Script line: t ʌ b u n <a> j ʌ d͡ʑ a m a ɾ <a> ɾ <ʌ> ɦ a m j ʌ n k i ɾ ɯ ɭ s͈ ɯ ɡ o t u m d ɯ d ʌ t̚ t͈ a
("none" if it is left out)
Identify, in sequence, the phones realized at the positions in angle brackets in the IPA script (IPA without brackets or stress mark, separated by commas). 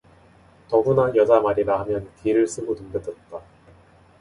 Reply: a, i, a